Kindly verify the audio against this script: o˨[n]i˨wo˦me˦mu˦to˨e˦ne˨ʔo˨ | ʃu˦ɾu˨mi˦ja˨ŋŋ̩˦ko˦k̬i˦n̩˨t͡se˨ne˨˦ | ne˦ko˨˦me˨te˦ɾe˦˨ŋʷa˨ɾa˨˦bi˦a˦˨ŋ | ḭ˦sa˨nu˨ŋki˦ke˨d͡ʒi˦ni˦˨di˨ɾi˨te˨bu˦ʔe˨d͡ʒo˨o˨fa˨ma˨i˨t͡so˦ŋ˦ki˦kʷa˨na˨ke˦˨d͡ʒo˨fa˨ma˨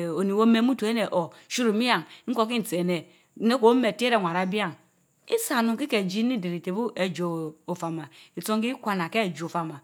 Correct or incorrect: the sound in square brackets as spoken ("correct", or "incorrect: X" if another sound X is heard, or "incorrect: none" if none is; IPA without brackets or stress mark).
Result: correct